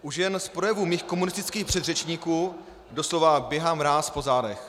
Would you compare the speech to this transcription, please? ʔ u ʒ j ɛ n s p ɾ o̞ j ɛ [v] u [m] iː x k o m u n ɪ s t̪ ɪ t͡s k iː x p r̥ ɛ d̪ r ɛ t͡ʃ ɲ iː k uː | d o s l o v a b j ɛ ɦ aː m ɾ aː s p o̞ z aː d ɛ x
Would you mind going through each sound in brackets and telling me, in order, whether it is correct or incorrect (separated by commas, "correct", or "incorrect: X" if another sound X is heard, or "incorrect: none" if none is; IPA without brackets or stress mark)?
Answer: correct, correct